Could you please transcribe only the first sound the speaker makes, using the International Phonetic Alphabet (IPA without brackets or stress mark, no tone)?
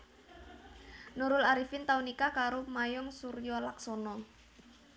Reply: n